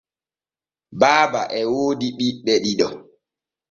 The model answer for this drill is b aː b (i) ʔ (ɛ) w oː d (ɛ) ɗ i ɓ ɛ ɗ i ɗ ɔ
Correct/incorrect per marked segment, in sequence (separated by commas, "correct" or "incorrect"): incorrect, correct, incorrect